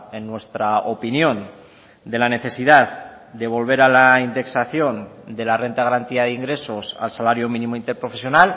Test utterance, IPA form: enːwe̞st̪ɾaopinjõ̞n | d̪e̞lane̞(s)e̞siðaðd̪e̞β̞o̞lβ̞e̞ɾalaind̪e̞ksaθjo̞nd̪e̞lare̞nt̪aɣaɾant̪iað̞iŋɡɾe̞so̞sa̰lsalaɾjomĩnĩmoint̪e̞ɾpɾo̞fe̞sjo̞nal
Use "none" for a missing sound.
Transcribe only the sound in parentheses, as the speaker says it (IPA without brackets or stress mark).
θ